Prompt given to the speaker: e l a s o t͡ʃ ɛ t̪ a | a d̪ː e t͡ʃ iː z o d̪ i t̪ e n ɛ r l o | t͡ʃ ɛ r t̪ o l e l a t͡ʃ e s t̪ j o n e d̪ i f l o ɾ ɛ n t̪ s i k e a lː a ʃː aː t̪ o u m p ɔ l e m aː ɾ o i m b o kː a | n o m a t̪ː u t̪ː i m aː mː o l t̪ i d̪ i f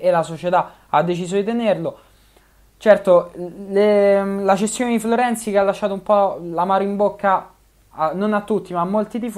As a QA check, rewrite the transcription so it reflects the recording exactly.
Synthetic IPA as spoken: e l a s o t͡ʃ e t̪ a | a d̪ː e t͡ʃ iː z o d̪ i t̪ e n e r l o | t͡ʃ ɛ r t̪ o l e l a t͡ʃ e s t̪ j o n e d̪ i f l o ɾ ɛ n t̪ s i k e a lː a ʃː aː t̪ o u m p ɔ l a m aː ɾ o i m b o kː a | n o n a t̪ː u t̪ː i m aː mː o l t̪ i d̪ i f

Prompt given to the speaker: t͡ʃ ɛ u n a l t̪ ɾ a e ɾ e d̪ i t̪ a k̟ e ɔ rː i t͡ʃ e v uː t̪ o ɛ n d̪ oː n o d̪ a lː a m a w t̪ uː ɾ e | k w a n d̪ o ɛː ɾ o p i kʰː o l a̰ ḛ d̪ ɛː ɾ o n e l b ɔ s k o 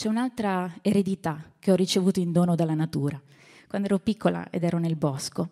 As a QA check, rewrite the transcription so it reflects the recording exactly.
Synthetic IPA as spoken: t͡ʃ ɛ u n a l t̪ ɾ a e ɾ e d̪ i t̪ a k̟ e ɔ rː i t͡ʃ e v uː t̪ o i n d̪ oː n o d̪ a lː a n a t̪ uː ɾ a | k w a n d̪ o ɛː ɾ o p i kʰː o l a̰ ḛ d̪ ɛː ɾ o n e l b ɔ s k o

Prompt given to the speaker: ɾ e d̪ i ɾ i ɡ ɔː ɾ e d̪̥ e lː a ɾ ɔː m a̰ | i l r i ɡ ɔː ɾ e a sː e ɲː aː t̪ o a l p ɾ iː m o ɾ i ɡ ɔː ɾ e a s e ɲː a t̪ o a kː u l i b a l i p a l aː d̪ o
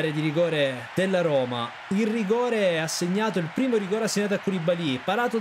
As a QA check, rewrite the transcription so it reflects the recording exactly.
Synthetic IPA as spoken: ɾ e d̪ i ɾ i ɡ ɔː ɾ e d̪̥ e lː a ɾ ɔː m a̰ | i l r i ɡ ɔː ɾ e a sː e ɲː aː t̪ o i l p ɾ iː m o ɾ i ɡ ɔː ɾ e a sː e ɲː a t̪ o a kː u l i b a l i p a ɾ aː t̪ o

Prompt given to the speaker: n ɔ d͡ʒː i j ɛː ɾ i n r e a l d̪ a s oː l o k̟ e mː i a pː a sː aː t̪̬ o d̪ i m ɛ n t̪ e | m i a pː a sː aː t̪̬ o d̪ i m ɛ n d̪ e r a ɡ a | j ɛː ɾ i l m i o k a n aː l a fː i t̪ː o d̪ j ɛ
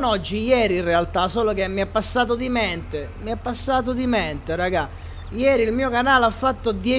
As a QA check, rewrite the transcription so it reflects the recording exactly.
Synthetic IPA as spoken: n ɔ d͡ʒː i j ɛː ɾ i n r e a l t̪ a s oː l o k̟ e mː i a pː a sː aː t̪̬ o d̪ i m ɛ n t̪ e | m i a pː a sː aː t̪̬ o d̪ i m ɛ n t̪ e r a ɡ a | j ɛː ɾ i l m iː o k a n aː l a fː a t̪ː o d̪ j ɛ

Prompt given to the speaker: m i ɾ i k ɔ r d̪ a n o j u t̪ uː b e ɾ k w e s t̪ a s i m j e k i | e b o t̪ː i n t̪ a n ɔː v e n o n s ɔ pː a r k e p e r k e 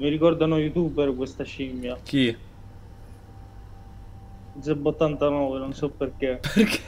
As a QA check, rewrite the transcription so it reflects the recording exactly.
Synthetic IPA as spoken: m i ɾ i k ɔ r d̪ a n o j u t̪ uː b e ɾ k w e s t̪ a ʃ i m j a k i | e b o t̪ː a n t̪ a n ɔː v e n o n s ɔ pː e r k e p e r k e

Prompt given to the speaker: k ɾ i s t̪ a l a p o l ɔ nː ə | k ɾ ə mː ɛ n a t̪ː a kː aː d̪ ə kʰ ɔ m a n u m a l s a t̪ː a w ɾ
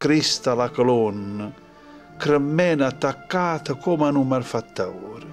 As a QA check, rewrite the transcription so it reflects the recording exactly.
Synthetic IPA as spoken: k ɾ i s t̪ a l a k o l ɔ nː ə | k ɾ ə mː ɛ n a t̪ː a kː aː t̪ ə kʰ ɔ m a n u m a l f a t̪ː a w ɾ

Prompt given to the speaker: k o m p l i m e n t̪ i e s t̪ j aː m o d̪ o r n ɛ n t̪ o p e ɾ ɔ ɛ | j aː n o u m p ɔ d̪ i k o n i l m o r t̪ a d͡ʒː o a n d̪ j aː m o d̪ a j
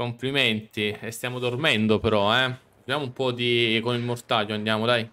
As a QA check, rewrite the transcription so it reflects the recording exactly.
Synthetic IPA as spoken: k o m p l i m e n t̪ i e s t̪ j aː m o d̪ o r m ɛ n d̪ o p e ɾ ɔ ɛ | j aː m o u m p ɔ d̪ i k o n i l m o r t̪ a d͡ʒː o a n d̪ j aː m o d̪ a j

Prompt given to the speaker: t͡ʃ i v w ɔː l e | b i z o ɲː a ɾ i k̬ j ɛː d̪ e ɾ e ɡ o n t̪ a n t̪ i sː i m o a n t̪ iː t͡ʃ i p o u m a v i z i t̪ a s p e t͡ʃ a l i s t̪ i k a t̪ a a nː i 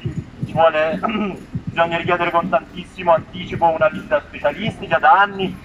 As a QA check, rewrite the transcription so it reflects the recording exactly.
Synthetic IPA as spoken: t͡ʃ i v w ɔː l e | b i z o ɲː a ɾ i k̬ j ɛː d̪ e ɾ e k o n t̪ a n t̪ i sː i m o a n t̪ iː t͡ʃ i p o u n a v i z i t̪ a s p e t͡ʃ a l i s t̪ i k a d̪ a a nː i

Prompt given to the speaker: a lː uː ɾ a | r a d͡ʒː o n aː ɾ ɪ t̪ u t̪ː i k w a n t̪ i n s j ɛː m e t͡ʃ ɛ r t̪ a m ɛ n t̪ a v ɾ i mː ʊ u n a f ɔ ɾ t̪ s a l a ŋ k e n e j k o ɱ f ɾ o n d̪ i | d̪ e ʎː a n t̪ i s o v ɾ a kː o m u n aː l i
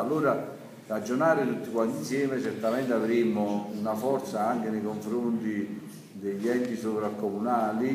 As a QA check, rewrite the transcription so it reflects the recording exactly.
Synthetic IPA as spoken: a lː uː ɾ a | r a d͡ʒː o n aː ɾ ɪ t̪ u t̪ː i k w a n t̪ i n s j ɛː m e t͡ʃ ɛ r t̪ a m ɛ n t̪ a v ɾ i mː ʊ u n a f ɔ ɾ t̪ s a a ŋ k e n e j k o ɱ f ɾ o n t̪ i | d̪ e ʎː ɛ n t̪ i s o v ɾ a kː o m u n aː l i

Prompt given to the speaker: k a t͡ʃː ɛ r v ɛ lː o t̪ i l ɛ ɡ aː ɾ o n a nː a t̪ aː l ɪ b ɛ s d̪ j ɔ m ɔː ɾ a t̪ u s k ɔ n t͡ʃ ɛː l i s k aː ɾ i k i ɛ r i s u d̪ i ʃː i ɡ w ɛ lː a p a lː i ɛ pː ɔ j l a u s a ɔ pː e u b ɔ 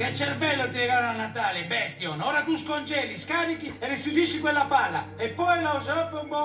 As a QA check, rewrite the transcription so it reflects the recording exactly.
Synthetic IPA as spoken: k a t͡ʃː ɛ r v ɛ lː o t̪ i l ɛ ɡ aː ɾ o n a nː a t̪ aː l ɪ b ɛ s t̪ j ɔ n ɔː ɾ a t̪ u s k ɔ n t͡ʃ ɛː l i s k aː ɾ i k i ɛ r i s u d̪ i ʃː i k w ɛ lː a p a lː a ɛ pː ɔ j l a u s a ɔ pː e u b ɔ

